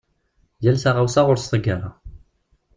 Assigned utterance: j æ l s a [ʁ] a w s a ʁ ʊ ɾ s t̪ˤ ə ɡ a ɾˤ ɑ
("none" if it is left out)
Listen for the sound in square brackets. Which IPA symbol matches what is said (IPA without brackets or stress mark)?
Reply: ʁ